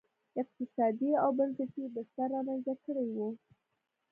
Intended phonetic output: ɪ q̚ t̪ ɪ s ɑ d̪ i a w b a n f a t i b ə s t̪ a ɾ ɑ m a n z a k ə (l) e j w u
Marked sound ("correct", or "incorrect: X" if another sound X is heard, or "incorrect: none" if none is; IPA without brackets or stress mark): incorrect: ɽ